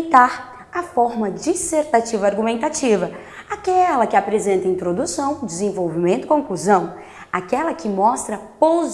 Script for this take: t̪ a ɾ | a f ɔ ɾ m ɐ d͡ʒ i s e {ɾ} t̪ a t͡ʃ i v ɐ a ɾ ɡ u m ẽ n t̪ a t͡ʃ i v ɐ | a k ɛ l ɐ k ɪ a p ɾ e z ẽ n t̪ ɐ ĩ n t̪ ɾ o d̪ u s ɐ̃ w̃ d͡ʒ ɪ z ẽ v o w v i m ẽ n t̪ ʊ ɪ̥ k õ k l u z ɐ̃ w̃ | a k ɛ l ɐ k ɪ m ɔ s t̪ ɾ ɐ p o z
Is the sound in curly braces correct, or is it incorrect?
correct